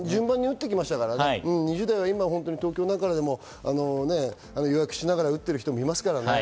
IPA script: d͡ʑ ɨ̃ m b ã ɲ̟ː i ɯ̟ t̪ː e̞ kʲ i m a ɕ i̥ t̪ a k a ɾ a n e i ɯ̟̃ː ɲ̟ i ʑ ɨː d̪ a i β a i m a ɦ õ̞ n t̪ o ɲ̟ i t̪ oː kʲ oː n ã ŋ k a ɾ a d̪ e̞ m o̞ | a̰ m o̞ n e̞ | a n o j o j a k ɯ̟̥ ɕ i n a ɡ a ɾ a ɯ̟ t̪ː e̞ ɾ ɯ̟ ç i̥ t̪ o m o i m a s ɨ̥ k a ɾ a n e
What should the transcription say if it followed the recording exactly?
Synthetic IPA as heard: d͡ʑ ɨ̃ m b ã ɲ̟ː i ɯ̟ t̪ː e̞ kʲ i m a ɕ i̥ t̪ a k a ɾ a n e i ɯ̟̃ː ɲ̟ i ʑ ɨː d̪ a i β a i m a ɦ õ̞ n t̪ o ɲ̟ i t̪ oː kʲ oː n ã ŋ k a ɾ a d̪ e̞ m o̞ | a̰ n o̞ n e̞ | a n o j o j a k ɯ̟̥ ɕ i n a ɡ a ɾ a ɯ̟ t̪ː e̞ ɾ ɯ̟ ç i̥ t̪ o m o i m a s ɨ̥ k a ɾ a n e